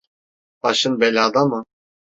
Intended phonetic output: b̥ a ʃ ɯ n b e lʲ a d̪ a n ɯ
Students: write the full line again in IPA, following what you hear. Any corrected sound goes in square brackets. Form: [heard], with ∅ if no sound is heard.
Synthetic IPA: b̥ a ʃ ɯ n b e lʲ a d̪ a [m] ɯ